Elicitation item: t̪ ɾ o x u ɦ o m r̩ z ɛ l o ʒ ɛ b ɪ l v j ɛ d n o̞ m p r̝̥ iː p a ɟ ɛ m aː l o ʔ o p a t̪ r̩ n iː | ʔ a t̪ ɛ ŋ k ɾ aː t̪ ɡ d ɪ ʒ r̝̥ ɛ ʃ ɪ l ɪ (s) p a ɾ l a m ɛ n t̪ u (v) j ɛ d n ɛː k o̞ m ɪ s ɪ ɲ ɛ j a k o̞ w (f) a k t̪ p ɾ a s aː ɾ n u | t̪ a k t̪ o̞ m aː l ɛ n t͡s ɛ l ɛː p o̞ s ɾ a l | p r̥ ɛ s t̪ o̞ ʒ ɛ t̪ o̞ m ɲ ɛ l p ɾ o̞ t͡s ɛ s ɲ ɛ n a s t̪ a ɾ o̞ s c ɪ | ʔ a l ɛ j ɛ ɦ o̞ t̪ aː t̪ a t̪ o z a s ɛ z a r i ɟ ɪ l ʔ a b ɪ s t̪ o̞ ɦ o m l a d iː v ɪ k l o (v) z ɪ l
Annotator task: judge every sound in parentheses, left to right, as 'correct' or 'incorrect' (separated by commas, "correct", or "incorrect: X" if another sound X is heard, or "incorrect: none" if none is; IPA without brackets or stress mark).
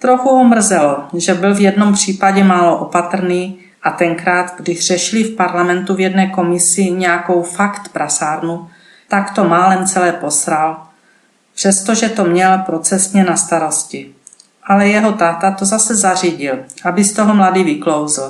incorrect: f, correct, correct, incorrect: w